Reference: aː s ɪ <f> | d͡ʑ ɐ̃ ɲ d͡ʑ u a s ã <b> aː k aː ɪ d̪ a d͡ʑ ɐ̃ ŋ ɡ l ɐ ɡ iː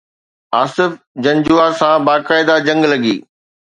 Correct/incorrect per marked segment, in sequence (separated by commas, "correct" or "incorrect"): correct, correct